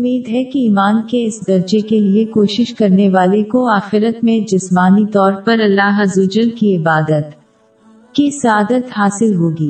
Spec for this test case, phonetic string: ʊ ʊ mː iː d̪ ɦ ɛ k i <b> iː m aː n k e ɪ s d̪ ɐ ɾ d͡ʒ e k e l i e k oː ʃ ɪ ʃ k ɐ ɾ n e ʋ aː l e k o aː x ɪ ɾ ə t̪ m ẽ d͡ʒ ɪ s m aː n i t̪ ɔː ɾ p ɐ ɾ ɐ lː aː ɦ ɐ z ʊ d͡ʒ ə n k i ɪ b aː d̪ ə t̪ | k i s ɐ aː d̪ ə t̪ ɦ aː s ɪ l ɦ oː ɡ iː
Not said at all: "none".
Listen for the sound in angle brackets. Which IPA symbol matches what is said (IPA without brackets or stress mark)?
none